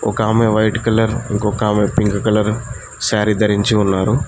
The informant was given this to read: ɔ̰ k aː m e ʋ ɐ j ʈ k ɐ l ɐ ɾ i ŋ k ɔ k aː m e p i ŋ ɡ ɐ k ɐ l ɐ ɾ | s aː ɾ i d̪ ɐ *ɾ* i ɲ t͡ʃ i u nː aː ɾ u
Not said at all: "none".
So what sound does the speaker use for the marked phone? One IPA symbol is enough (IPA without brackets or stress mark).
ɾ